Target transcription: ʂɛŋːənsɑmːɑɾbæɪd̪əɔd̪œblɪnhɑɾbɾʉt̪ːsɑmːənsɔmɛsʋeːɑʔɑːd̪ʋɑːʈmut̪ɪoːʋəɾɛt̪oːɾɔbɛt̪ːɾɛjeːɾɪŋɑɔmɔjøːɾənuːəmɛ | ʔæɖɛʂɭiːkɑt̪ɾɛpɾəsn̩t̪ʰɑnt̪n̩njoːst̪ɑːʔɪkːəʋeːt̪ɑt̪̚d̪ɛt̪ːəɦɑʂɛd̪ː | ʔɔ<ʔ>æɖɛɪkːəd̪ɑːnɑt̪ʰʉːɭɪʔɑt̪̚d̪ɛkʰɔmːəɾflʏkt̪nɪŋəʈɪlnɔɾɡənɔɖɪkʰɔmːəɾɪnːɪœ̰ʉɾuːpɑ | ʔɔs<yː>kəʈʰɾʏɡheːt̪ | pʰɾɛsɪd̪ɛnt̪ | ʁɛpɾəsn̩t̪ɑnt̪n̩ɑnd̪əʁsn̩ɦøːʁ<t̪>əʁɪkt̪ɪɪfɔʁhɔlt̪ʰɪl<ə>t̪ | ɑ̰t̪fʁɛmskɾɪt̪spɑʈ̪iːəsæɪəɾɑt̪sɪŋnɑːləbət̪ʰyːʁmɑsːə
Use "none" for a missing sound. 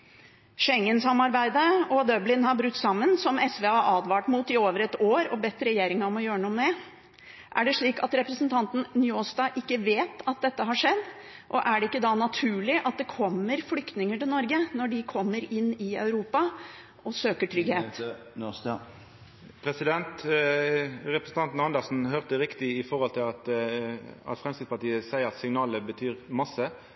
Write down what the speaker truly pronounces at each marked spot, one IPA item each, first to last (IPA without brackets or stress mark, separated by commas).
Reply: ʔ, øː, t̪, ɑ